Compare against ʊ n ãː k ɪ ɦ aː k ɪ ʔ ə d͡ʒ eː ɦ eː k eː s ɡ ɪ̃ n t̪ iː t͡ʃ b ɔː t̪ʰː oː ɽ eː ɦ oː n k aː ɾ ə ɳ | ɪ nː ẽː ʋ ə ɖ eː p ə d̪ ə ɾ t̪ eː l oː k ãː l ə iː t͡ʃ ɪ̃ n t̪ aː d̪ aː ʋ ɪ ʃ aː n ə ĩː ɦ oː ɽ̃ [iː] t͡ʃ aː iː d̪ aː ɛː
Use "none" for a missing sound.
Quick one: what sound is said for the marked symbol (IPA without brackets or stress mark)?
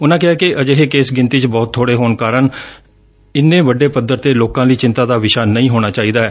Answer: aː